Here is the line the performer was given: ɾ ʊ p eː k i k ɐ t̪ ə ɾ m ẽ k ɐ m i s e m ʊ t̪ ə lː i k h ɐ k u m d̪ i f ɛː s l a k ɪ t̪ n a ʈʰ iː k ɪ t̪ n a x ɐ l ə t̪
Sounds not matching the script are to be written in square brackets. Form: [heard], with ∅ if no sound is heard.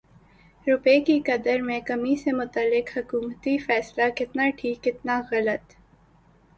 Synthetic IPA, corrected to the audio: ɾ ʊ p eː k i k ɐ [d̪] ə ɾ m ẽ k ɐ m i s e m ʊ t̪ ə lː [ɪ] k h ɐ k [uː] m [t̪] i f ɛː s l a k ɪ t̪ n a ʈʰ iː k ɪ t̪ n a [ɣ] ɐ l ə t̪